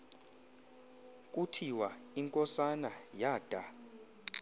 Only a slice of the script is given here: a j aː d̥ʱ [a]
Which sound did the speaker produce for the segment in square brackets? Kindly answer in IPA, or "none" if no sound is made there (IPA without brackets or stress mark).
a